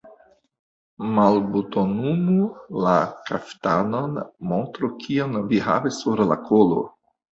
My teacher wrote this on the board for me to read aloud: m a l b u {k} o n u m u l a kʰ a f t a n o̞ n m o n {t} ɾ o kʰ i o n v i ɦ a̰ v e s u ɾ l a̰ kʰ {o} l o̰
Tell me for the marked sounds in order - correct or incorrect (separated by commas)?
incorrect, correct, correct